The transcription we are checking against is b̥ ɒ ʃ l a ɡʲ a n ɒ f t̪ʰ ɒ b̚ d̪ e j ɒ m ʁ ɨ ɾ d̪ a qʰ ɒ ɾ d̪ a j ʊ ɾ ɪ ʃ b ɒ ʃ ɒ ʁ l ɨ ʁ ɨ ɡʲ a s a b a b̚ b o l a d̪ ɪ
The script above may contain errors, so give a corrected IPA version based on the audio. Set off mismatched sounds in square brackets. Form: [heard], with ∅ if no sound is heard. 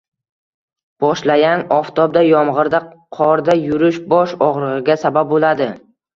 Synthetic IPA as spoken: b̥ ɒ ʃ l a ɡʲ a n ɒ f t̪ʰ ɒ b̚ d̪ [a] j ɒ m ʁ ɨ ɾ d̪ a qʰ ɒ ɾ d̪ a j ʊ ɾ ɪ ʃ b ɒ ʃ ɒ ʁ [ɾ] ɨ ʁ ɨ ɡʲ a s a b a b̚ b o l a d̪ ɪ